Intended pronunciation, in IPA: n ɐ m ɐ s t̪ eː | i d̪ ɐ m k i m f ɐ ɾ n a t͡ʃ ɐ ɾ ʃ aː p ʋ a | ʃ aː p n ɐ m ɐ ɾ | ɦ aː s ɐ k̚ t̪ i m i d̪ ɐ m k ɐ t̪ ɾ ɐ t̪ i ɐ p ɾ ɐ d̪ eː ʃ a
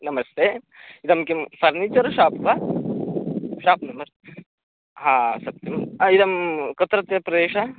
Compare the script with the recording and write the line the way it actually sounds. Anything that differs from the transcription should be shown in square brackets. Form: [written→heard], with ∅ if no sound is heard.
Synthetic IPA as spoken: n ɐ m ɐ s t̪ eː | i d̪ ɐ m k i m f ɐ ɾ n [a→i] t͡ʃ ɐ ɾ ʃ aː p ʋ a | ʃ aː p n ɐ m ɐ ɾ | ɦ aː s ɐ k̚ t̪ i m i d̪ ɐ m k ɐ t̪ ɾ ɐ t̪ [i→j] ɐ p ɾ ɐ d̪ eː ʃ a